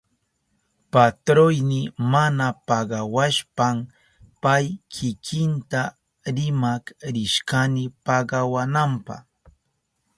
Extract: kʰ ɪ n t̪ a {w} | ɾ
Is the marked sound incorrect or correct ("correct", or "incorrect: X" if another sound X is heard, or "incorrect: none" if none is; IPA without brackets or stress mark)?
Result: incorrect: none